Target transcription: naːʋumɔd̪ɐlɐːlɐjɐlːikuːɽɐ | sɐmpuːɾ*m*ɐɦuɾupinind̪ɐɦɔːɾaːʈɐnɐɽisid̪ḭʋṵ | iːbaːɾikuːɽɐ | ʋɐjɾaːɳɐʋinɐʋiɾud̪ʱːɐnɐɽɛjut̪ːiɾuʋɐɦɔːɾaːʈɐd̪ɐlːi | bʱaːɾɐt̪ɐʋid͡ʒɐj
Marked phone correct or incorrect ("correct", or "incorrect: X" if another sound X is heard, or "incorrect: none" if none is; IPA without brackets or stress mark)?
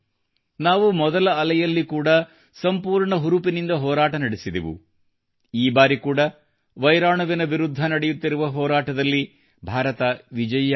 incorrect: ɳ